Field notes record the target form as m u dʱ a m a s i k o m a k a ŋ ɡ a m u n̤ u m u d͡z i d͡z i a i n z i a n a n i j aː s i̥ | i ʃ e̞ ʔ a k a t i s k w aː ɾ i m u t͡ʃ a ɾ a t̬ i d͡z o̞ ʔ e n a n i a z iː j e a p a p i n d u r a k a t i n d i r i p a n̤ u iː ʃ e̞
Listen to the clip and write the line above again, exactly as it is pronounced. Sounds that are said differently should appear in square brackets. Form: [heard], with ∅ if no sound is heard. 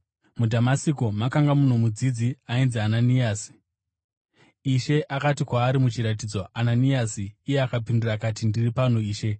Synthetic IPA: m u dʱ a m a s i k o m a k a ŋ ɡ a m u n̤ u m u d͡z i d͡z i a i n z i a n a n i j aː s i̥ | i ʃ e̞ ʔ a k a t i [∅] k w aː ɾ i m u t͡ʃ [i] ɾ a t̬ i d͡z o̞ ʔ [a] n a n i a [s] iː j e a [k] a p i n d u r a k a t i n d i r i p a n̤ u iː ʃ e̞